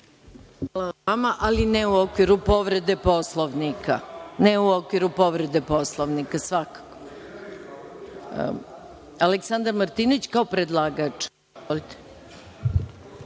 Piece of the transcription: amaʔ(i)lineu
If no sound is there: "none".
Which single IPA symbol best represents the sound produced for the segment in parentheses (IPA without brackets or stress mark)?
a